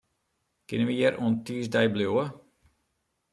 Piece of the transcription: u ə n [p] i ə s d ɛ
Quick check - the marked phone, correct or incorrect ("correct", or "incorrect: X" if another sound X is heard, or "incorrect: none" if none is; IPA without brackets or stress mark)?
incorrect: t